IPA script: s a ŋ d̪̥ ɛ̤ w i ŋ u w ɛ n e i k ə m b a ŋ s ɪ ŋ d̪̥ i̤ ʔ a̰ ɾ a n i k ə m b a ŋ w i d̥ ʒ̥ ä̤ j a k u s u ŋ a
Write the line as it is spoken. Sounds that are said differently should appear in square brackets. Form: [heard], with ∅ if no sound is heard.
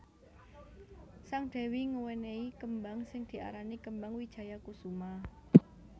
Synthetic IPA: s a ŋ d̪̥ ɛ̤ w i ŋ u w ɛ n e i k ə m b a ŋ s ɪ ŋ d̪̥ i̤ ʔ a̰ ɾ a n i k ə m b a ŋ w i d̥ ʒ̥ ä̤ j a k u s u [m] a